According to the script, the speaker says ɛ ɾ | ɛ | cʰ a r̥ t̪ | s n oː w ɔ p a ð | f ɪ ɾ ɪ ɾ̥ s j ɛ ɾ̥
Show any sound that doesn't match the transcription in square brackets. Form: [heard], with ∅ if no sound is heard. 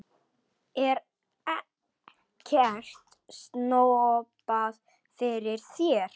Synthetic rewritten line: ɛ ɾ | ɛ | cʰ [ɛ] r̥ t̪ | s n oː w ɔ p a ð | f ɪ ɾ ɪ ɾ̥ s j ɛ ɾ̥